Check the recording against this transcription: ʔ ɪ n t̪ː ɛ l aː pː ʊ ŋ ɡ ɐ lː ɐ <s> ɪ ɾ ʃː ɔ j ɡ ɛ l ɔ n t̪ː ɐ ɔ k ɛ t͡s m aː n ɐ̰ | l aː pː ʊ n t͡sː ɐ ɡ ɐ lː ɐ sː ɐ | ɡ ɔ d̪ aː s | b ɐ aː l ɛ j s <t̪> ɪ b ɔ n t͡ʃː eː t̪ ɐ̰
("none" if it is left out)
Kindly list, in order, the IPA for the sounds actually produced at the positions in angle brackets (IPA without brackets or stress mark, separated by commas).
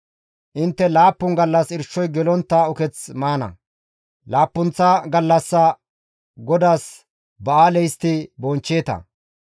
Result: s, t̪